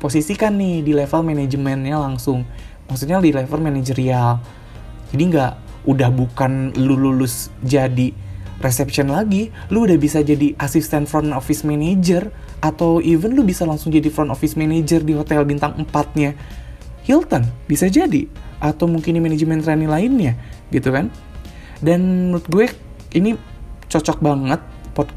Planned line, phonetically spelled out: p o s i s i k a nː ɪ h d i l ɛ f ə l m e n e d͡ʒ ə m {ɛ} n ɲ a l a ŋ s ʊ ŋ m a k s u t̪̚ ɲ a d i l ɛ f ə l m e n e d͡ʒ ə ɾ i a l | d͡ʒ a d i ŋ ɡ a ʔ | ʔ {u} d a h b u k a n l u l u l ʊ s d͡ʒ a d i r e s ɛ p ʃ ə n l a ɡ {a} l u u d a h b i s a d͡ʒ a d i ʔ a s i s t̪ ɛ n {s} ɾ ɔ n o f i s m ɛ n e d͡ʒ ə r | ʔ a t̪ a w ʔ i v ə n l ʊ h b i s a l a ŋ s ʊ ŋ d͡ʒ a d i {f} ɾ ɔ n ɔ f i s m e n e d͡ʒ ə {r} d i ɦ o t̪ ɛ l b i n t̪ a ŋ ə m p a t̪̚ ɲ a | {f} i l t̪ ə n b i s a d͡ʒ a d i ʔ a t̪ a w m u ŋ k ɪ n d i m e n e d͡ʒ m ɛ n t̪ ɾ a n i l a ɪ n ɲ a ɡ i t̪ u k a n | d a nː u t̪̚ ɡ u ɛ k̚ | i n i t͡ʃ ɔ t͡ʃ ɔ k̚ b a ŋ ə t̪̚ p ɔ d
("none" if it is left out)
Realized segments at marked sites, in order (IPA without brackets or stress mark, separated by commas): ɛ, u, i, f, f, r, h